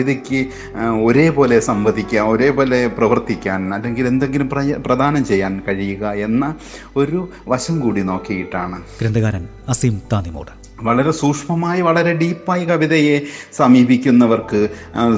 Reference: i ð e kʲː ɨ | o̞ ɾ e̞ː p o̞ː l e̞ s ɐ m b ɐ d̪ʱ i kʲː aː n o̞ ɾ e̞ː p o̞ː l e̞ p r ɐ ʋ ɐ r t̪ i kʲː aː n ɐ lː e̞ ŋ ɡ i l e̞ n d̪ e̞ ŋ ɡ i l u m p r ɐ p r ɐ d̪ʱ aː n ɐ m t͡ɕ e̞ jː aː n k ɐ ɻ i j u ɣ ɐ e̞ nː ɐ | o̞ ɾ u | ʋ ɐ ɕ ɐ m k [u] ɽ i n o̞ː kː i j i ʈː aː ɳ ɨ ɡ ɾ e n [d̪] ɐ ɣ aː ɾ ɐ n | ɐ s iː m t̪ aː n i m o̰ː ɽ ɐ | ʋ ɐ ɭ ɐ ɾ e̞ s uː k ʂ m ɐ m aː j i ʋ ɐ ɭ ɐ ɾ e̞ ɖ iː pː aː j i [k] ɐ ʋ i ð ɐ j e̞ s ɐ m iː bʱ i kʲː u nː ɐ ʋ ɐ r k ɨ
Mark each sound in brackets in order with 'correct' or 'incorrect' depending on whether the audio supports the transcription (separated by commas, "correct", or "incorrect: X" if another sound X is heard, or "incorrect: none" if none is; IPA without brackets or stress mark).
incorrect: uː, correct, correct